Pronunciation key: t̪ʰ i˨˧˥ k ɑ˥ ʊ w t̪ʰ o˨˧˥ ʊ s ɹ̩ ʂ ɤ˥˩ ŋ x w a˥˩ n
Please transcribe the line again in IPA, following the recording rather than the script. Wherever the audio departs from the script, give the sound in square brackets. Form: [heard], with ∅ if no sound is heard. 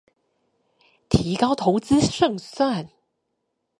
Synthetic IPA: t̪ʰ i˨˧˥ k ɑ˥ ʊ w t̪ʰ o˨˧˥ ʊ [t͡s] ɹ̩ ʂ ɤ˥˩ ŋ [s] w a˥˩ n